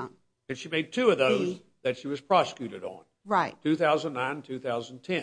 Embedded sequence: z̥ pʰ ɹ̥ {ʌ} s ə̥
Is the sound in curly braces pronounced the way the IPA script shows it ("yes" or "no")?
no